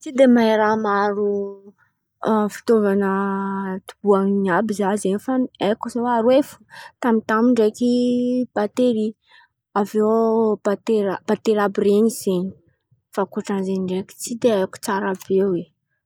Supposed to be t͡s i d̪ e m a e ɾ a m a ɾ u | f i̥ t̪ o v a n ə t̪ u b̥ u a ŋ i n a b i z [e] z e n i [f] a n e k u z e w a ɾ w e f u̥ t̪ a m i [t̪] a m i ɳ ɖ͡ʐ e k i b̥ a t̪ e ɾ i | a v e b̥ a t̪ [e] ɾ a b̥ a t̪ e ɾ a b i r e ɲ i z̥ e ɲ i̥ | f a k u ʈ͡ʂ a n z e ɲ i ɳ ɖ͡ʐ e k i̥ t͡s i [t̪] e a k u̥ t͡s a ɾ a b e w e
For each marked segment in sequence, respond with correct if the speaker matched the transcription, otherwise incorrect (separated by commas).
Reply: incorrect, correct, correct, correct, incorrect